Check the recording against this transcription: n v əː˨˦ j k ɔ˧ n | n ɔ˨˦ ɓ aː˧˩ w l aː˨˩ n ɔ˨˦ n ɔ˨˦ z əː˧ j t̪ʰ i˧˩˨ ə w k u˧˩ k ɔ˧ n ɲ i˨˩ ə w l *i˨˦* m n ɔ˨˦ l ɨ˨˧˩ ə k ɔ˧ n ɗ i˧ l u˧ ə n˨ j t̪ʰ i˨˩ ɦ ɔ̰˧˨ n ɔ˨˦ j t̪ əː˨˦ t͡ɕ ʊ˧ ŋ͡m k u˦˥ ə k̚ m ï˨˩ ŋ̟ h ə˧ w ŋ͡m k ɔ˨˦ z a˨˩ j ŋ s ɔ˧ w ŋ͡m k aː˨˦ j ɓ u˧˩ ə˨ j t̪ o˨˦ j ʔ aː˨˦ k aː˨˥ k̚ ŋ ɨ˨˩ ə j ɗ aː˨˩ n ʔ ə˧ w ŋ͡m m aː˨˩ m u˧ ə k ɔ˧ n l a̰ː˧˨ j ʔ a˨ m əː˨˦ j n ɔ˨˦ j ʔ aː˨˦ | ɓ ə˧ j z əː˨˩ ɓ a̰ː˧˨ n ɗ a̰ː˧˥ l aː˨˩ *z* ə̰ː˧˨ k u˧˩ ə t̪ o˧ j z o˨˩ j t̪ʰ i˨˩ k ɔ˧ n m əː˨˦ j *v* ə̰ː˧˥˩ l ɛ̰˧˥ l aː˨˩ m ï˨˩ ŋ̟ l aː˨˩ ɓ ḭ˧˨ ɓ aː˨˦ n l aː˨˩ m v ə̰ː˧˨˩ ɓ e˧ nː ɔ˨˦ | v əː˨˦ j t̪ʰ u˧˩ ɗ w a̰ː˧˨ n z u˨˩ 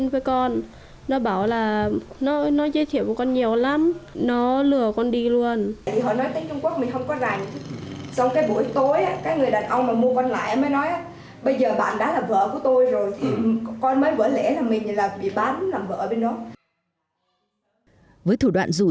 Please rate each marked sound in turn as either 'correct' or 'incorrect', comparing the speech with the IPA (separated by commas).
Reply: incorrect, incorrect, correct